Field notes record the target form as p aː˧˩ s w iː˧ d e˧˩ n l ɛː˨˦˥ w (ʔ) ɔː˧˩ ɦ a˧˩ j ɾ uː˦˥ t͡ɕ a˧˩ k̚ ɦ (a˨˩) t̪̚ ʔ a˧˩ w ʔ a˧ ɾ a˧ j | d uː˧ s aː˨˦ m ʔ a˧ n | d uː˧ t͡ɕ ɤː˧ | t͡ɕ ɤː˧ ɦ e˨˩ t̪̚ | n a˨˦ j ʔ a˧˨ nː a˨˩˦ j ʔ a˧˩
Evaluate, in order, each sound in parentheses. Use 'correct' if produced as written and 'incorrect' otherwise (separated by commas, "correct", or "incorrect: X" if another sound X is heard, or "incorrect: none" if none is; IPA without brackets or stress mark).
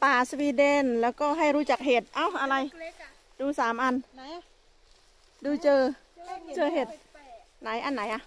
incorrect: k, incorrect: e˨˩